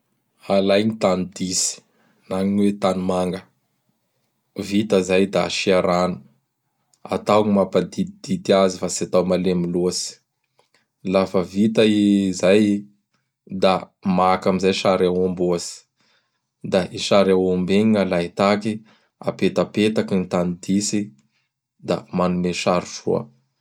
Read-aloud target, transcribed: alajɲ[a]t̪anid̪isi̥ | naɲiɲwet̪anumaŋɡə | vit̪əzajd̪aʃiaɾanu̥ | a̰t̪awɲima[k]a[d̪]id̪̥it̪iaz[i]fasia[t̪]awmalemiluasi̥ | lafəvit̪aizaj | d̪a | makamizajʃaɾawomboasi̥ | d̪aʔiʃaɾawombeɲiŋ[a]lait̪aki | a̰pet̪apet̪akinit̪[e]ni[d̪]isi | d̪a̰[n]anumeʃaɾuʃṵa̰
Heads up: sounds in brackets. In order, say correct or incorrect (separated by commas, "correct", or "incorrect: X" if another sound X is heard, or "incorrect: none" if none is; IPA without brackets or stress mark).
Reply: incorrect: i, incorrect: p, correct, correct, correct, correct, incorrect: a, correct, incorrect: m